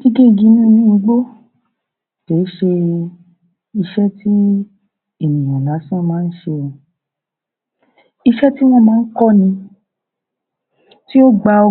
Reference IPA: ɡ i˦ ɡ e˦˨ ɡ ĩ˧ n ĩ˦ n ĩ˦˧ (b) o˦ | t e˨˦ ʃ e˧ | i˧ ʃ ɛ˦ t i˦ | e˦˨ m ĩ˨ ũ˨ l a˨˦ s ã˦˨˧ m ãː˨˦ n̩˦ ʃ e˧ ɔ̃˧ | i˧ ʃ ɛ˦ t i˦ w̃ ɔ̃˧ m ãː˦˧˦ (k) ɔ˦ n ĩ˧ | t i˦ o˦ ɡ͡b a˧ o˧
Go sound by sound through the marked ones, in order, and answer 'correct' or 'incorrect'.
incorrect: ɡ͡b, correct

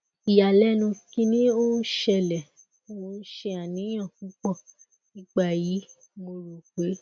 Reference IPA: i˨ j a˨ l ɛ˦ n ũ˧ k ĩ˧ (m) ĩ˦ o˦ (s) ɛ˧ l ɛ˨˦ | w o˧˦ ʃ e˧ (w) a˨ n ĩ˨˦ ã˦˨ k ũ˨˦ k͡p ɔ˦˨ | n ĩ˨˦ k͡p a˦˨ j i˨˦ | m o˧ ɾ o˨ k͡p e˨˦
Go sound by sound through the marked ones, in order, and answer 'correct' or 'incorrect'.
incorrect: n, incorrect: ʃ, incorrect: none

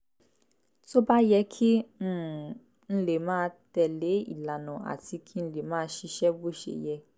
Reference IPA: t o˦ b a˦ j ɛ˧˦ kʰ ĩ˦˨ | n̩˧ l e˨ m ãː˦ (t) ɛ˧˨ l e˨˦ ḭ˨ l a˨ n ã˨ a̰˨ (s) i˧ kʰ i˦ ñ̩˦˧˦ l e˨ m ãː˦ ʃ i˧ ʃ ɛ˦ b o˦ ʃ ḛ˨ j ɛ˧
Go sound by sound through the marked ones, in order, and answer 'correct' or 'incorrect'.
correct, incorrect: t

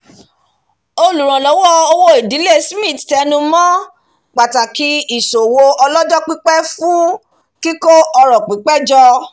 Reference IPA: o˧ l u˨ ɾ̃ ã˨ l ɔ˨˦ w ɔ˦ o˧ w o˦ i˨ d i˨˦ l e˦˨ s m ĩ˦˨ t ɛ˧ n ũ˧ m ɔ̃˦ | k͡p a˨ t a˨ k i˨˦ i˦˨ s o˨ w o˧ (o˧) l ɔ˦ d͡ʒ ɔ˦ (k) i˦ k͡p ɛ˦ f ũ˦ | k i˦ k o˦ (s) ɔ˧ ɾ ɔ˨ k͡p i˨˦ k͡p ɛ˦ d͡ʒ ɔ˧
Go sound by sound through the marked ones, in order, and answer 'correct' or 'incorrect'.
incorrect: ɔ˧, incorrect: k͡p, incorrect: none

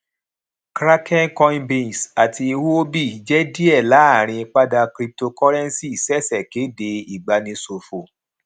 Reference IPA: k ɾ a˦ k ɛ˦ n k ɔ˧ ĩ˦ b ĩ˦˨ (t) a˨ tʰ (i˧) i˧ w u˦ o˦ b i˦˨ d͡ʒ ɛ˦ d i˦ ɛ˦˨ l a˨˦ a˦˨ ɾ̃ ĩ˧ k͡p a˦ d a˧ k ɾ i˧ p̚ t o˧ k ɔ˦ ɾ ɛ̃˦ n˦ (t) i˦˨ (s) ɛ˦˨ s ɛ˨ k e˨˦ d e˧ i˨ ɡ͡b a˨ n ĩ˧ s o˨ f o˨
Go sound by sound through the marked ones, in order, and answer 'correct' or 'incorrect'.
incorrect: s, correct, incorrect: s, correct

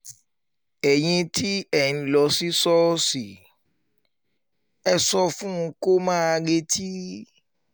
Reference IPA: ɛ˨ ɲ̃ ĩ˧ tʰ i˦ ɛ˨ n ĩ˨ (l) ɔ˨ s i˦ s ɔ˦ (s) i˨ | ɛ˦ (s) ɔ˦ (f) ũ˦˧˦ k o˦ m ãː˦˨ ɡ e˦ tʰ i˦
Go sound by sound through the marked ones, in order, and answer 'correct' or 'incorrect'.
correct, correct, correct, correct

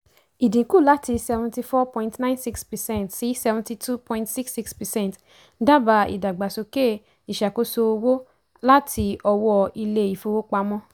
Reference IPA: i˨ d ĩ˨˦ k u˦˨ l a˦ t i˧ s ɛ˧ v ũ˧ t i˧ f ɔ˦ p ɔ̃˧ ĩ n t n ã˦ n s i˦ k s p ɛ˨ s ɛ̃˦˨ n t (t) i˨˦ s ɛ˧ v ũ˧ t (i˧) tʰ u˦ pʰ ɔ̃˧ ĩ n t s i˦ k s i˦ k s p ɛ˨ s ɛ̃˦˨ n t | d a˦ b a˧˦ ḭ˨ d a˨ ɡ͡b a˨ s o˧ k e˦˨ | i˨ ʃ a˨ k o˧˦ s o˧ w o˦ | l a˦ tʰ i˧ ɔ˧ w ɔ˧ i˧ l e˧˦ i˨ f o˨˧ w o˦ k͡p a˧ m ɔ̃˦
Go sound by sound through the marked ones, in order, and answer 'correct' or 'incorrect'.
incorrect: s, correct

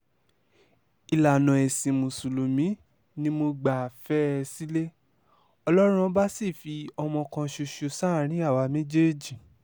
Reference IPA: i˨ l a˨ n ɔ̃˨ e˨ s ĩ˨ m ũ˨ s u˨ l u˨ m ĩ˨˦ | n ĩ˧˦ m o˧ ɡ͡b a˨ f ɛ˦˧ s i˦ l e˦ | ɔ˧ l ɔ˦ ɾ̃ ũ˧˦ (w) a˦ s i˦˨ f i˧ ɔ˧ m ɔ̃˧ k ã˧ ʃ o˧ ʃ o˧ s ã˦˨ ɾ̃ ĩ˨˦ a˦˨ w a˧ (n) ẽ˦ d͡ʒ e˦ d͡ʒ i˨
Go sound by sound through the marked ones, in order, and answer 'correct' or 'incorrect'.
incorrect: b, incorrect: m

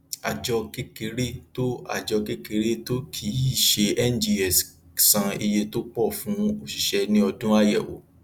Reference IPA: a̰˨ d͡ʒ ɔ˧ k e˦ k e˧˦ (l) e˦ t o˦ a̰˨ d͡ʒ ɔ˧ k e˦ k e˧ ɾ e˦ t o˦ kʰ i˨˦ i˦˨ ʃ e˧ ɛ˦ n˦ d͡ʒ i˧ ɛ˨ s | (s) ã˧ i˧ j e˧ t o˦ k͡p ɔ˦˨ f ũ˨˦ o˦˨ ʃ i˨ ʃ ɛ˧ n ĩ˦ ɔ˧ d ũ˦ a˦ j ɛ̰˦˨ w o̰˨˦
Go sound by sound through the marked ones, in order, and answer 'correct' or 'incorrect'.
incorrect: ɾ, correct

